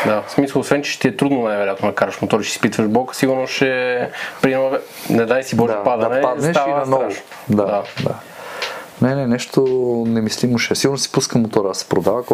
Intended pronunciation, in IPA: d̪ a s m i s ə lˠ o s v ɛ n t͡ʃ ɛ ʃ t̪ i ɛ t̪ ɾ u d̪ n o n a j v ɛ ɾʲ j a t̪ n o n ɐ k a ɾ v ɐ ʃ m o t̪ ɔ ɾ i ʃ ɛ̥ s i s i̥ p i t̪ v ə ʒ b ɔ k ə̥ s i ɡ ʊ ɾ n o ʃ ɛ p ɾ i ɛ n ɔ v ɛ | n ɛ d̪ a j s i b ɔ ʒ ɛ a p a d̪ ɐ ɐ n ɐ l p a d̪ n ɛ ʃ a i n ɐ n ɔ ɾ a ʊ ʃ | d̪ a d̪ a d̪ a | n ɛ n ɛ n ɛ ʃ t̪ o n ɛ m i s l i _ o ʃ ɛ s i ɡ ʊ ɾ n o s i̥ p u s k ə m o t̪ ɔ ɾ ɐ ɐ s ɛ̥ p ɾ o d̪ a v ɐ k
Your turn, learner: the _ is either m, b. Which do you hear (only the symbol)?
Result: m